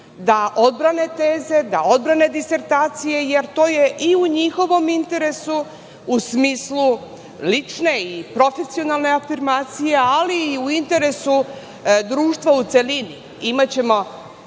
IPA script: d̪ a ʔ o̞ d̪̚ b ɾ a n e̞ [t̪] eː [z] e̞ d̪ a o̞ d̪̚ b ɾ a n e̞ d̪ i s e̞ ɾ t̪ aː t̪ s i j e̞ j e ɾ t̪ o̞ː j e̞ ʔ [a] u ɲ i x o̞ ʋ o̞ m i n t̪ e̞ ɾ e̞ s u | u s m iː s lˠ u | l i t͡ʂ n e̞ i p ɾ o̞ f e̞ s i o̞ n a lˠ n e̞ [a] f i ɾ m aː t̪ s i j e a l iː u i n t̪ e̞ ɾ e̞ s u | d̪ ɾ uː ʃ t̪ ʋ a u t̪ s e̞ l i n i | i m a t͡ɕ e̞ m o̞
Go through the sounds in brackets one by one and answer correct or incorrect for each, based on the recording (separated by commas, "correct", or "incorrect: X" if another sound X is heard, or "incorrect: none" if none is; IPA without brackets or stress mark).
correct, correct, incorrect: i, correct